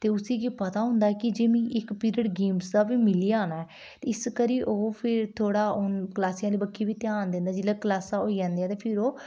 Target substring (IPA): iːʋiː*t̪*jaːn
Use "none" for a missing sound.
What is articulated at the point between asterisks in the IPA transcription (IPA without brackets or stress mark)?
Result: t̪